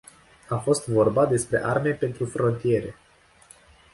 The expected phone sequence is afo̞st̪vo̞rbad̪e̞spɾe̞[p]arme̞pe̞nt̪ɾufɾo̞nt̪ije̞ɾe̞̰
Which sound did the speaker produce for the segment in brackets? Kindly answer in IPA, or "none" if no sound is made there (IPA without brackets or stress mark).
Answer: ʔ